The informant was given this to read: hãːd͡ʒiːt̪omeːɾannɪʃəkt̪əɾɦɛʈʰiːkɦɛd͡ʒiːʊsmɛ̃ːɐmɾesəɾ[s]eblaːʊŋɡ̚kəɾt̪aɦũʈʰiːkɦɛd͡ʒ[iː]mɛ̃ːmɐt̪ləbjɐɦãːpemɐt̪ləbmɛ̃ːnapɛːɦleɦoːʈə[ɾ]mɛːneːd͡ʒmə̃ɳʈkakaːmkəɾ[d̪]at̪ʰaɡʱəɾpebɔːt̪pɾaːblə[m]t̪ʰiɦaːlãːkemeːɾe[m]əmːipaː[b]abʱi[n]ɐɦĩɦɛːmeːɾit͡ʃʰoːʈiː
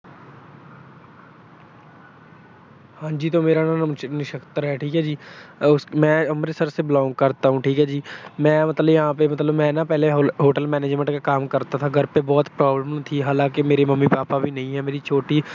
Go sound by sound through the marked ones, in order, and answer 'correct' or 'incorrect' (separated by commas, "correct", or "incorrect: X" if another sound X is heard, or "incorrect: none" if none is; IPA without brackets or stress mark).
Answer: correct, correct, incorrect: l, incorrect: t̪, correct, correct, incorrect: p, correct